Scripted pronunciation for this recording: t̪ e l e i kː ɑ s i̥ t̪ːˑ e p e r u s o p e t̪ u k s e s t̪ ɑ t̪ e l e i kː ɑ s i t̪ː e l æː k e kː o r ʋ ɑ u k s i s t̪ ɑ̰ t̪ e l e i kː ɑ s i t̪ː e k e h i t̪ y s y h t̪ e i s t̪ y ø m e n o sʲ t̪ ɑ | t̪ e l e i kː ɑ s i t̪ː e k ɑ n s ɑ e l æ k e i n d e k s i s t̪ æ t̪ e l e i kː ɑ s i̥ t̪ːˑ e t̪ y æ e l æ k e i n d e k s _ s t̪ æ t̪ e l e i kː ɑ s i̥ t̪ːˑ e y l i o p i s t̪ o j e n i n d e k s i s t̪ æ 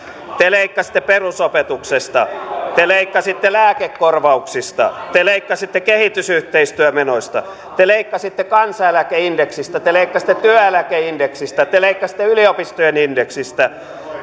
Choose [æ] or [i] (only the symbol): i